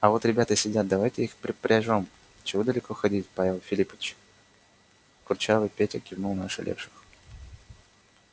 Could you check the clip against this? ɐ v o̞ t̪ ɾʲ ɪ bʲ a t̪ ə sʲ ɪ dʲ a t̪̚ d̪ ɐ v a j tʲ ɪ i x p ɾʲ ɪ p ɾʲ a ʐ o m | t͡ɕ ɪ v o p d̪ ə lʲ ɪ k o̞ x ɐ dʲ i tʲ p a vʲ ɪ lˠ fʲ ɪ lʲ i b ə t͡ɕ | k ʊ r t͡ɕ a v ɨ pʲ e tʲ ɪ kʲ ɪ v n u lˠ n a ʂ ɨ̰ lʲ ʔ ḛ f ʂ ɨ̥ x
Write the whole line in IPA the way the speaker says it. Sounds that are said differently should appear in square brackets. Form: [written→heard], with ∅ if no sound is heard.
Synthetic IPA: ɐ v o̞ t̪ ɾʲ ɪ bʲ a t̪ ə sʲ ɪ dʲ a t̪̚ d̪ ɐ v a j tʲ ɪ i x p ɾʲ ɪ p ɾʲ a ʐ o m | t͡ɕ ɪ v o [p→∅] d̪ ə lʲ ɪ k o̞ x ɐ dʲ i tʲ p a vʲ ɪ lˠ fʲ ɪ lʲ i [b→p] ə t͡ɕ | k ʊ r t͡ɕ a v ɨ pʲ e tʲ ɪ kʲ ɪ v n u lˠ n a ʂ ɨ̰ lʲ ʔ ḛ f ʂ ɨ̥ x